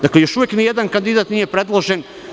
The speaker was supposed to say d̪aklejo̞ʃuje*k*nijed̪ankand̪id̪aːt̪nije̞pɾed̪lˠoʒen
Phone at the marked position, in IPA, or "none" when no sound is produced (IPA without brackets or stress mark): k